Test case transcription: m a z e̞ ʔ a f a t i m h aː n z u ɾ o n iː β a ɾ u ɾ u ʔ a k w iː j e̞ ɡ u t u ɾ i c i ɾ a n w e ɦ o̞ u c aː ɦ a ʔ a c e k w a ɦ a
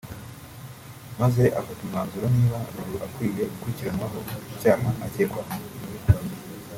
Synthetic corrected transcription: m a z e̞ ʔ a f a t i m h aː n z u ɾ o n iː β a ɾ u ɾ u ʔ a k w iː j e̞ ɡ u k u ɾ i c i ɾ a n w a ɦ o̞ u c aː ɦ a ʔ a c e k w a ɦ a

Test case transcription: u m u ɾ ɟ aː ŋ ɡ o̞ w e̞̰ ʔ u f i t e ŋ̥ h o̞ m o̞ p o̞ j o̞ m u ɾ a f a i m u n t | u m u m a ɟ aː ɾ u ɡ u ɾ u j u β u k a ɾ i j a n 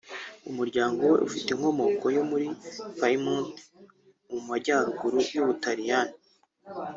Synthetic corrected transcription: u m u ɾ ɟ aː ŋ ɡ o̞ w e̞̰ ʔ u f i t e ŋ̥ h o̞ m o̞ k o̞ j o̞ m u ɾ i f a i m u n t | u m u m a ɟ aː ɾ u ɡ u ɾ u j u β u t a ɾ i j a n

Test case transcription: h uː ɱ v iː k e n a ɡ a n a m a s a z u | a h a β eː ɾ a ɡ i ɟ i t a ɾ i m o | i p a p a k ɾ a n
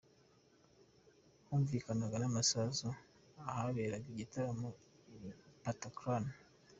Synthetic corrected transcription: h uː ɱ v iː k a n a ɡ a n a m a s a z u | a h a β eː ɾ a ɡ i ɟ i t a ɾ a m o | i p a t a k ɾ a n

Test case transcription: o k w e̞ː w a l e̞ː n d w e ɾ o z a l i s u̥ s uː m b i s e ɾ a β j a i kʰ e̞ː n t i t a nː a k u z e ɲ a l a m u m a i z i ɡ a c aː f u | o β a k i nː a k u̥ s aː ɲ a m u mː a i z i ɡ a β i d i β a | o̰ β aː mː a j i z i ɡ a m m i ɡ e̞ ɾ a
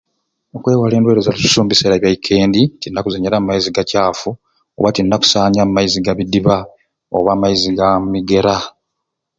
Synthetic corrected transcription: o k w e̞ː w a l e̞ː n d w e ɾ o z a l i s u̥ s uː m b i s e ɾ a β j a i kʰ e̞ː n d i t i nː a k u z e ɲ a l a m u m a i z i ɡ a c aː f u | o β a t i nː a k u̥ s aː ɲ a m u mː a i z i ɡ a β i d i β a | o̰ β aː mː a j i z i ɡ a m m i ɡ e̞ ɾ a

